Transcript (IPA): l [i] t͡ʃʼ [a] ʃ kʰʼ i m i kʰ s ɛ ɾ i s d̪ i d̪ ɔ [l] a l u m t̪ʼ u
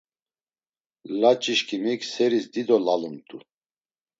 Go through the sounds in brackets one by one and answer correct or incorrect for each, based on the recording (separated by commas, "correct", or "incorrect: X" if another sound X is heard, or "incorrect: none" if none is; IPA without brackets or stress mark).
incorrect: a, incorrect: i, correct